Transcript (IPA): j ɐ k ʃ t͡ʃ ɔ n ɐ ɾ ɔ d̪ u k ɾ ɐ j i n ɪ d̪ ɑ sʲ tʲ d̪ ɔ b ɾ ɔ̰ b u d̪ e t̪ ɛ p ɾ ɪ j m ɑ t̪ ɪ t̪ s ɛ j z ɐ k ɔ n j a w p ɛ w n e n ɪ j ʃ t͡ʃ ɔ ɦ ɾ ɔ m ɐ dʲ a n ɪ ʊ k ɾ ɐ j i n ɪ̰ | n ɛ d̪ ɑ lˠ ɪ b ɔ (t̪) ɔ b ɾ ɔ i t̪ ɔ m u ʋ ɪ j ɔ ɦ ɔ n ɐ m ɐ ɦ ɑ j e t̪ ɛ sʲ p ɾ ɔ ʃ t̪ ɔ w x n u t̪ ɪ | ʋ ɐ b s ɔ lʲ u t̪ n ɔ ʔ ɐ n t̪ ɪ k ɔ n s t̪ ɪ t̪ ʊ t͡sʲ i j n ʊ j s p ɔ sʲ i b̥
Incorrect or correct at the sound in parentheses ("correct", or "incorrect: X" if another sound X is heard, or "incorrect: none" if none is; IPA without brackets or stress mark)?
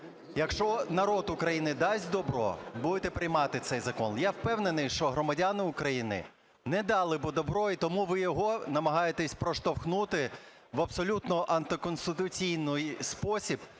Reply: incorrect: d̪